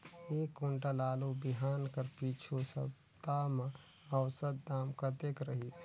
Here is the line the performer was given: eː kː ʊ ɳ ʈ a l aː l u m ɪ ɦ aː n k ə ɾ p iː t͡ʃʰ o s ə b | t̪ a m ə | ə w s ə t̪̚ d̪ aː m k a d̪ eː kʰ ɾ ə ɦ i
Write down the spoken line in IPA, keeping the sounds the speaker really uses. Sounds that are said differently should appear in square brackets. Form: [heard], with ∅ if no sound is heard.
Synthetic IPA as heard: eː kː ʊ ɳ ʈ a l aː l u [b] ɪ ɦ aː n k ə ɾ p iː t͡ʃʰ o s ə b | t̪ a m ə | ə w s ə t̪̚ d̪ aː m k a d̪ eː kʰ ɾ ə ɦ i